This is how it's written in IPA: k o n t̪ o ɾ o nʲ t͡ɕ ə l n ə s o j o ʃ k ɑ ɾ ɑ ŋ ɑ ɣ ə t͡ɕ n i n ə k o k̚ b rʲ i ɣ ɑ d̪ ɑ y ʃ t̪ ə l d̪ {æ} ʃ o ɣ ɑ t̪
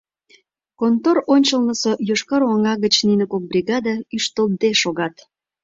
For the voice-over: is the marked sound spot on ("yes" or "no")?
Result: no